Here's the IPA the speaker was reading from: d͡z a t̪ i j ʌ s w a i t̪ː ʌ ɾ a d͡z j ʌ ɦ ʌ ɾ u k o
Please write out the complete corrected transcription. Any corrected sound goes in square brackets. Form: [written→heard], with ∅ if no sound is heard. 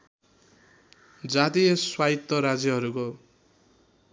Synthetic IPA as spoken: d͡z a t̪ i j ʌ s w a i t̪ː ʌ ɾ a d͡z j ʌ ɦ ʌ ɾ u k o